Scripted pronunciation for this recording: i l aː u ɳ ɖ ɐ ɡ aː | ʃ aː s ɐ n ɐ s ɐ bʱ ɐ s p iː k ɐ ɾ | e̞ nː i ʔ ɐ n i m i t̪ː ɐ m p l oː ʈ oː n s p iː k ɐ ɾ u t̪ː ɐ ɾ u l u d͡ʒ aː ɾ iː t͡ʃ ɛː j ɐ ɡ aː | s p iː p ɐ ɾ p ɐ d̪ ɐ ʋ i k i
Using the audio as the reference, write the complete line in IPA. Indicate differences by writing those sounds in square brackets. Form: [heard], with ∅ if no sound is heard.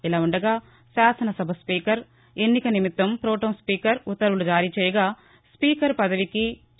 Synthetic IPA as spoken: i l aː u ɳ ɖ ɐ ɡ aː | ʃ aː s ɐ n ɐ s ɐ bʱ ɐ s p iː k ɐ ɾ | e̞ nː i [k] ɐ n i m i t̪ː ɐ m p [ɾ] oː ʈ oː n s p iː k ɐ ɾ u t̪ː ɐ ɾ u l u d͡ʒ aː ɾ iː t͡ʃ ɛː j ɐ ɡ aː | s p iː [k] ɐ ɾ p ɐ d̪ ɐ ʋ i k i